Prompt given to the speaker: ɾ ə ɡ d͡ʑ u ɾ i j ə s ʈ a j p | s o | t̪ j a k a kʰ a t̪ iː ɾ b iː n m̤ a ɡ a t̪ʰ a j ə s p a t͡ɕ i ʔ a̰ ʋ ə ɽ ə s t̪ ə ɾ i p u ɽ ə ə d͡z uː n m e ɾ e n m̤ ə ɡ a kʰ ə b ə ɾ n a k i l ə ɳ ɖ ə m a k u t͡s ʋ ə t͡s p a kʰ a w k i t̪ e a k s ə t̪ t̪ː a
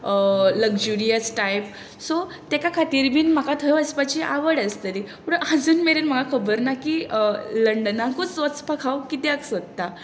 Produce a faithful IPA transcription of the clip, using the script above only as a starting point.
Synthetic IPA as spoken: l ə ɡ d͡ʑ u ɾ i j ə s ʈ a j p | s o | t̪ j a k a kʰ a t̪ iː ɾ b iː n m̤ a k a t̪ʰ ə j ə s p a t͡ɕ i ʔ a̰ ʋ ə ɽ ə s t̪ ə ɾ i p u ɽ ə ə d͡z uː n m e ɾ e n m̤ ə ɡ a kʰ ə b ə ɾ n a k i l ə ɳ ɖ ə n a k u t͡s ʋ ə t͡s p a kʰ a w k i t̪ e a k s ə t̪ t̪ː a